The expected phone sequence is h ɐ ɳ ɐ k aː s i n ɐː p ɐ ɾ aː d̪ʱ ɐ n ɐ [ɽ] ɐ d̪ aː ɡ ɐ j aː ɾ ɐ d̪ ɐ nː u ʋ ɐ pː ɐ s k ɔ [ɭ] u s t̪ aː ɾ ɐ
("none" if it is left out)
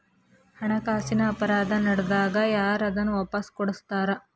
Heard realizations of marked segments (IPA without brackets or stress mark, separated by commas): ɽ, ɽ